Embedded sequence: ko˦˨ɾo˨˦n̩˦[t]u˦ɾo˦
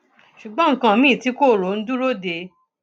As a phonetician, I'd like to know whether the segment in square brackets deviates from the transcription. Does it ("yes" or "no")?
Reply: yes